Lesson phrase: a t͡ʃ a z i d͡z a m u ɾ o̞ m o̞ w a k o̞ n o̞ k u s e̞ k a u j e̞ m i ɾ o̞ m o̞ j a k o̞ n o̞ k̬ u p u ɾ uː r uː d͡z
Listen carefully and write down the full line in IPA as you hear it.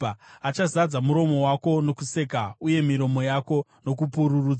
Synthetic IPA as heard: a t͡ʃ a z a d͡z a m u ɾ o̞ m o̞ w a k o̞ n o̞ k u s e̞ k a u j e̞ m i ɾ o̞ m o̞ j a k o̞ n o̞ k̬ u p u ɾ u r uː d͡z